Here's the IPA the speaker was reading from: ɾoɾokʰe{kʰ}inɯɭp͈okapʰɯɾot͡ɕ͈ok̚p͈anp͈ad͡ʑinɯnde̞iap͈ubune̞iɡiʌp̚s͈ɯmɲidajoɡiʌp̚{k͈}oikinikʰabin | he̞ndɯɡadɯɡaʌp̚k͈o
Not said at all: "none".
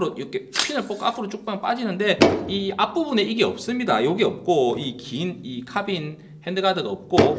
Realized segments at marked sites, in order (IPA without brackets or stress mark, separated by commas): pʰ, k͈